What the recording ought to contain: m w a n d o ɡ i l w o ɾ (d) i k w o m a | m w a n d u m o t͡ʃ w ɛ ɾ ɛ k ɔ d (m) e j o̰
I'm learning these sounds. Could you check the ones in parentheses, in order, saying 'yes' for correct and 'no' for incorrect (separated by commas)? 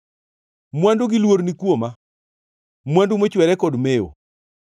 no, yes